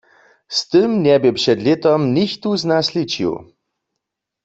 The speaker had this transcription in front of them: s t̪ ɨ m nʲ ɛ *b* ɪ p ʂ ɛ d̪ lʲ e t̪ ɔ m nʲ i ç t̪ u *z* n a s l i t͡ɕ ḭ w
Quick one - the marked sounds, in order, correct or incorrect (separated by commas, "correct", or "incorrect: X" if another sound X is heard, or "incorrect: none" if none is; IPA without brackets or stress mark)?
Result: correct, correct